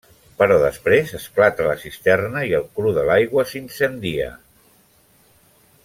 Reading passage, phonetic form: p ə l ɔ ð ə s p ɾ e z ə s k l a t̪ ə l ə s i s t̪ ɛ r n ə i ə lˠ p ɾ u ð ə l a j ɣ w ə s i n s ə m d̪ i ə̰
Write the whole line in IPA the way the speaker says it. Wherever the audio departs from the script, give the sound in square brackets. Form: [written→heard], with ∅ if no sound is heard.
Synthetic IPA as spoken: p ə [l→ɾ] ɔ ð ə s p ɾ e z ə s k l a t̪ ə l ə s i s t̪ ɛ r n ə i ə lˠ [p→k] ɾ u ð ə l a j ɣ w ə s i n s ə [m→n] d̪ i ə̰